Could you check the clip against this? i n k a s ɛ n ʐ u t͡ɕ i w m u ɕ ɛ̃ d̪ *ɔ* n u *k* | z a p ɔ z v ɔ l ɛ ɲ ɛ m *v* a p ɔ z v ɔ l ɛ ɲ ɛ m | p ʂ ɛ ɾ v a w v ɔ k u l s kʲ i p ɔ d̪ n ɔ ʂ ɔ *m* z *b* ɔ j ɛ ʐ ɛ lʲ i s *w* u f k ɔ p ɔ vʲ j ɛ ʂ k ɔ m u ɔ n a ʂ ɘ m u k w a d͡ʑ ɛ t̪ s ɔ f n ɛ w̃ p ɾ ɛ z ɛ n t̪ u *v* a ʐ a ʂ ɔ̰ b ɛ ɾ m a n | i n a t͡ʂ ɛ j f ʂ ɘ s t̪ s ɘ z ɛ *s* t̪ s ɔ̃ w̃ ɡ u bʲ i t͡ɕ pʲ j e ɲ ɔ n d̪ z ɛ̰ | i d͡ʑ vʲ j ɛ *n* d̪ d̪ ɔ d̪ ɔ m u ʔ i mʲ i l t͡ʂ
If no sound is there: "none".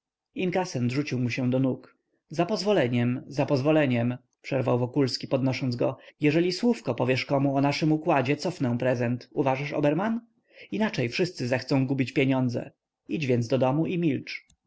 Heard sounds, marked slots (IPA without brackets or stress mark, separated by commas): ɔ, k, z, n, ɡ, w, v, x, n